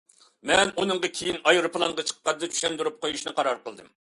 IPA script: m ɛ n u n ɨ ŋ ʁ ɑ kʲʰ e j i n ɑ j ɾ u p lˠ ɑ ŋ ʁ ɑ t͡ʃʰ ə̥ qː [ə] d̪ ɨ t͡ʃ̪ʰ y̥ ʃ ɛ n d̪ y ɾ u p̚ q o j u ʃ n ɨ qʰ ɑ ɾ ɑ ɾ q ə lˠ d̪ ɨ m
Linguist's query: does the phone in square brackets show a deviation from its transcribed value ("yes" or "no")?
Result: yes